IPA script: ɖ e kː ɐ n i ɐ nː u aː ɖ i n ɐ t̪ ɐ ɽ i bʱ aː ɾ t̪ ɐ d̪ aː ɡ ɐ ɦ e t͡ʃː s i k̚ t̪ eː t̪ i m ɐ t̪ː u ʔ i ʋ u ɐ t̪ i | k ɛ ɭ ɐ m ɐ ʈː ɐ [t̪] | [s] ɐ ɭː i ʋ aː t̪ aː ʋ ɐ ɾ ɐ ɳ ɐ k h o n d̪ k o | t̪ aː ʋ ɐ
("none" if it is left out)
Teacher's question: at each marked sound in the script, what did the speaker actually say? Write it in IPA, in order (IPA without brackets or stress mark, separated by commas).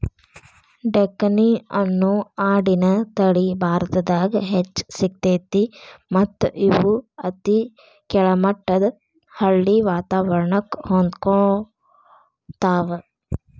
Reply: d̪, h